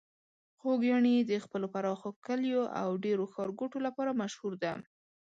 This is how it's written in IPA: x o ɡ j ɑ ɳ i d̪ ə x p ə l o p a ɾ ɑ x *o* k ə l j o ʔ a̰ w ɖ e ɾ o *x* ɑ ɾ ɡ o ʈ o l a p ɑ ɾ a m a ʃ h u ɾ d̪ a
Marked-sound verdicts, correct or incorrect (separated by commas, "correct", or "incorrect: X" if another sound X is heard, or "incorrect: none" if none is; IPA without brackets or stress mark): correct, correct